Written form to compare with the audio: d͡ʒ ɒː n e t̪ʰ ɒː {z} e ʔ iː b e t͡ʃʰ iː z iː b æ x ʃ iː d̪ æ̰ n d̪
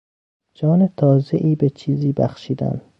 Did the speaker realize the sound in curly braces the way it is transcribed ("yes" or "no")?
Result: yes